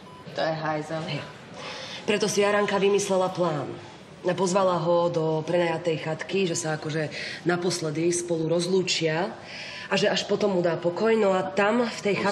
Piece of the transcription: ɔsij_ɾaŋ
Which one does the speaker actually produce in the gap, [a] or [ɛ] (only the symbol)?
a